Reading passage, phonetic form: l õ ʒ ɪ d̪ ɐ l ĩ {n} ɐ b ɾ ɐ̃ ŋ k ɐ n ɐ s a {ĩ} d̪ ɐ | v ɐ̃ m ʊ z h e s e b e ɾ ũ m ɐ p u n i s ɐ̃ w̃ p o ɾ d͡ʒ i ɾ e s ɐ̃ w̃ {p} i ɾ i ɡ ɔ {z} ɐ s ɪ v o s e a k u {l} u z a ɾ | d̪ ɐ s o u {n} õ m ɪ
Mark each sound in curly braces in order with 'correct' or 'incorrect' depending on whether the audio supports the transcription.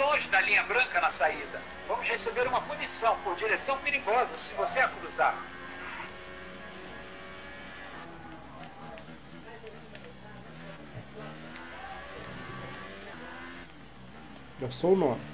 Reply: incorrect: ɲ, incorrect: i, correct, correct, incorrect: ɾ, correct

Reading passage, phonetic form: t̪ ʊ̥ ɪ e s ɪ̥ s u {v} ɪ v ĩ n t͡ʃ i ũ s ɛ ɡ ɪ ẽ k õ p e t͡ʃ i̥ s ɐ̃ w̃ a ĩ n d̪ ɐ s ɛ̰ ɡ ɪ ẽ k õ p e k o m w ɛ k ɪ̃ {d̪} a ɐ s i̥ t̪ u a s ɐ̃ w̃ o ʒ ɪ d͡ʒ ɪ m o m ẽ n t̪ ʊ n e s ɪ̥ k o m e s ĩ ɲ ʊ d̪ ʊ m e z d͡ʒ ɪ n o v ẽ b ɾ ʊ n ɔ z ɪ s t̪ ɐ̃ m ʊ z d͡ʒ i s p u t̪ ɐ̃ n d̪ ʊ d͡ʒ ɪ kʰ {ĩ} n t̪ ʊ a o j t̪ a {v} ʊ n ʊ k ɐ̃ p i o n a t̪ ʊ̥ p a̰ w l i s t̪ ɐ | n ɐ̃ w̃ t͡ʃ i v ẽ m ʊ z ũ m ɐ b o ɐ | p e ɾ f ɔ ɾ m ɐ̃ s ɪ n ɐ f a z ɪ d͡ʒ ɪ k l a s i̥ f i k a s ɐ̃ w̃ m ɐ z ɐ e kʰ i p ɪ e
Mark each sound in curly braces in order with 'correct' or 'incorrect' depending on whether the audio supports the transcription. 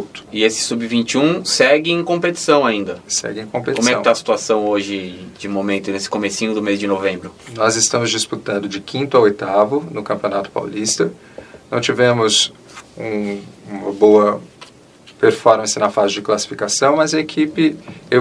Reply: incorrect: b, incorrect: t̪, correct, correct

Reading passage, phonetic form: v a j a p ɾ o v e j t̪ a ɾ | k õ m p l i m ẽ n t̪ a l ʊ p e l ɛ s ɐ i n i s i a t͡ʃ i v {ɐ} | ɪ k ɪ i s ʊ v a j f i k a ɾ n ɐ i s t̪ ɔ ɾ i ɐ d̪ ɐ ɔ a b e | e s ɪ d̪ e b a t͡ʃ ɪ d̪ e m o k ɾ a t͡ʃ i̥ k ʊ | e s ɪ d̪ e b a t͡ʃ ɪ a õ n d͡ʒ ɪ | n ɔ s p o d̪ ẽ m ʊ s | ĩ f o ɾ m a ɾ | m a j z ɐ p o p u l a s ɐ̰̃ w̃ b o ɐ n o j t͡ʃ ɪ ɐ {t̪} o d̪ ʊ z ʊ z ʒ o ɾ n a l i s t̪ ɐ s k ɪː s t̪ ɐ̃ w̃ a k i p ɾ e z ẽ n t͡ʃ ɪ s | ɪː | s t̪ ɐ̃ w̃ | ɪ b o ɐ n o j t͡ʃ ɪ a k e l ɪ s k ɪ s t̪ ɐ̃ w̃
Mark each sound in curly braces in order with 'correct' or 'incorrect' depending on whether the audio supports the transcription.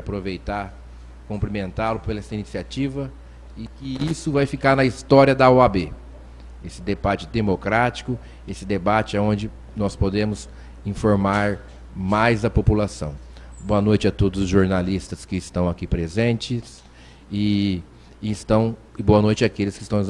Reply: correct, correct

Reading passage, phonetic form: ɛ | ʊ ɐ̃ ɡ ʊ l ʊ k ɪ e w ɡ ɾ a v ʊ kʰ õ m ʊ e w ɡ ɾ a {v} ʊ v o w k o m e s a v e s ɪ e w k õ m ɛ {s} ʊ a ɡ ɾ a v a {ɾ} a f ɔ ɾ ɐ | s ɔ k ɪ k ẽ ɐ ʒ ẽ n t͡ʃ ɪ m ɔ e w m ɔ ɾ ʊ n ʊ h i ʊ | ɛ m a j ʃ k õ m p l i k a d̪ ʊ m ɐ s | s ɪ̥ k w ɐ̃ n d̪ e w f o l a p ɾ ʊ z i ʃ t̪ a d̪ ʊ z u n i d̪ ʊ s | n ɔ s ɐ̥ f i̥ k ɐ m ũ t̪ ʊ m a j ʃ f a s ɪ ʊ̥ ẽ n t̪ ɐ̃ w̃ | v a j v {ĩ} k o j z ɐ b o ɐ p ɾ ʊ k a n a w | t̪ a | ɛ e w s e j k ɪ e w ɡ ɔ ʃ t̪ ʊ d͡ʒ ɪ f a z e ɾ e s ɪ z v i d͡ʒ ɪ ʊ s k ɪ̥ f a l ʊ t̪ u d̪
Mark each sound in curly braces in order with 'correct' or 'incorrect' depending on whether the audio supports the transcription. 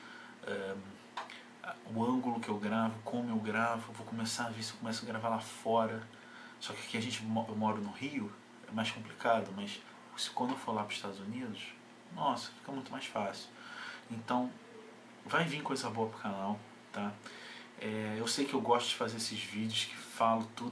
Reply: correct, correct, incorrect: l, correct

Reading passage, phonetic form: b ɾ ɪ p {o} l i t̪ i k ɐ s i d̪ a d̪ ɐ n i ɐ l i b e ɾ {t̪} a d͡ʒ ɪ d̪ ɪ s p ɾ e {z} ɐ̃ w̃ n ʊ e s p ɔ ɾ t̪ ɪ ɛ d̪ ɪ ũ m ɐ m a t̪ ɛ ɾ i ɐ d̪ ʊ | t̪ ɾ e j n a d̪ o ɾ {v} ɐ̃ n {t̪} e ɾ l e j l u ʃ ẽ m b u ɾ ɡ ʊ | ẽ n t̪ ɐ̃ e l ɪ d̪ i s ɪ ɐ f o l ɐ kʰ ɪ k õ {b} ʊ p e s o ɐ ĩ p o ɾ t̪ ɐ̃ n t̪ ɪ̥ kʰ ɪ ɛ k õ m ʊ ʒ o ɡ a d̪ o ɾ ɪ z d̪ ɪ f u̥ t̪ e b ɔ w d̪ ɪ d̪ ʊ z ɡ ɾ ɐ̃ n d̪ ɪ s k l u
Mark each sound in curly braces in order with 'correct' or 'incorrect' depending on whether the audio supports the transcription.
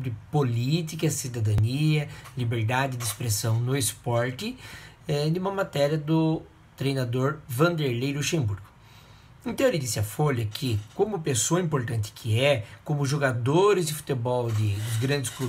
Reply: correct, incorrect: d̪, incorrect: s, correct, incorrect: d̪, incorrect: m

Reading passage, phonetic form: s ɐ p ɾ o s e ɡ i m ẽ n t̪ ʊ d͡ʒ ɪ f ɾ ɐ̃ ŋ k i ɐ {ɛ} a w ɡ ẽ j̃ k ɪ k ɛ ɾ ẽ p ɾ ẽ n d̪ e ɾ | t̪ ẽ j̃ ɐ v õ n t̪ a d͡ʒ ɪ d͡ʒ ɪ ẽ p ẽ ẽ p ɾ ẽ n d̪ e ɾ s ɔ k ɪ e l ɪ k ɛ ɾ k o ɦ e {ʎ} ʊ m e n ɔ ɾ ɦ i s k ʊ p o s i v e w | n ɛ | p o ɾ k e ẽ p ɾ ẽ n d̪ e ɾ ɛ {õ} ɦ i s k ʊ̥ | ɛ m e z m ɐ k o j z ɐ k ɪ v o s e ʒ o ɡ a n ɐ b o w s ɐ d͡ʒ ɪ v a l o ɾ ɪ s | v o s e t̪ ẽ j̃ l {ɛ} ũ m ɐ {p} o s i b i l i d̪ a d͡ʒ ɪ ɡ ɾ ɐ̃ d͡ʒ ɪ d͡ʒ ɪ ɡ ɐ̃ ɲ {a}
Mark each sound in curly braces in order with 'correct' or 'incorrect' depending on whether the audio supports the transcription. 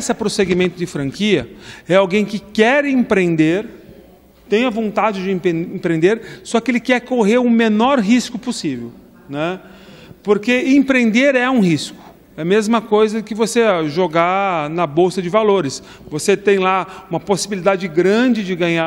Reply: correct, incorrect: ɾ, incorrect: ũ, incorrect: a, correct, correct

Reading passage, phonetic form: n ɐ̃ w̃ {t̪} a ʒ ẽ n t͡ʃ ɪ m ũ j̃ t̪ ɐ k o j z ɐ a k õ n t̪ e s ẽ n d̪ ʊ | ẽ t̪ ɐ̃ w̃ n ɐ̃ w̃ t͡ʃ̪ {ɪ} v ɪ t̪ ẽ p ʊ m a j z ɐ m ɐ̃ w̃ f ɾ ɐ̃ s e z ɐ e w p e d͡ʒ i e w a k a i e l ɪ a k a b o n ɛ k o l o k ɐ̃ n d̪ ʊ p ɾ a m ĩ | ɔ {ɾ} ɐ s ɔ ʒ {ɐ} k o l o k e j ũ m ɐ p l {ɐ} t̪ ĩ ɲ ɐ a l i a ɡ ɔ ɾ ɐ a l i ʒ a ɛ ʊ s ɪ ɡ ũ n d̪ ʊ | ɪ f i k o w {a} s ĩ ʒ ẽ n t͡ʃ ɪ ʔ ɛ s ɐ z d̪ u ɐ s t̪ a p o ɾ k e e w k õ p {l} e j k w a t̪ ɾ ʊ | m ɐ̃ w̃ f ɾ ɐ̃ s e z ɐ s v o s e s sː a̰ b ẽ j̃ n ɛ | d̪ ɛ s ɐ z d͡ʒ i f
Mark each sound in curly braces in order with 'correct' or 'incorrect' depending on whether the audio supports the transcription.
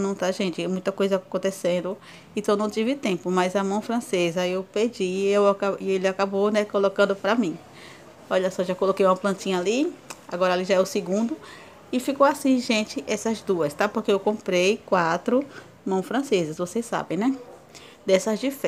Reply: correct, incorrect: i, incorrect: ʎ, incorrect: a, incorrect: ɐ̃, correct, incorrect: ɾ

